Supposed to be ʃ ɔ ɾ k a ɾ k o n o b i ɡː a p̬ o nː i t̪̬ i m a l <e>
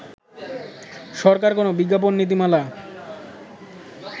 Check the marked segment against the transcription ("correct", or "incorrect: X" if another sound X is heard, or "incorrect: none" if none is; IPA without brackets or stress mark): incorrect: a